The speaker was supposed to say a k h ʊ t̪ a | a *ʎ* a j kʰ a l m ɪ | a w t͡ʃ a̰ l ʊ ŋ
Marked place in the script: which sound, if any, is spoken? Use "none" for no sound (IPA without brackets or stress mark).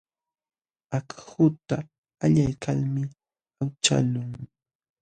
ʎ